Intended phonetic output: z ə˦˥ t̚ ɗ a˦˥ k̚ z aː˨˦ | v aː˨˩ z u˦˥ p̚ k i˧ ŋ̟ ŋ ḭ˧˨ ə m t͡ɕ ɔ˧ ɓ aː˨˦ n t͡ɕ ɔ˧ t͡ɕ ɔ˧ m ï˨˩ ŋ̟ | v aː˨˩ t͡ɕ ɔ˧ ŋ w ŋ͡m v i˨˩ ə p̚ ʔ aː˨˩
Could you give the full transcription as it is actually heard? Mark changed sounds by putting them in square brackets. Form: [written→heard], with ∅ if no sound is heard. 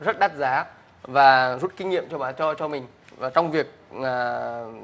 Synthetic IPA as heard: z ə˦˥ t̚ ɗ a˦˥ [k̚→t̚] z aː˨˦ | v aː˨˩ z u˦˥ [p̚→t̚] k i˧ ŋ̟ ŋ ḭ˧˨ ə m t͡ɕ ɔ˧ ɓ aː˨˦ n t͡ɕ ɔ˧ t͡ɕ ɔ˧ m ï˨˩ ŋ̟ | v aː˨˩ t͡ɕ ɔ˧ [ŋ→∅] w ŋ͡m v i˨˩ ə [p̚→k̚] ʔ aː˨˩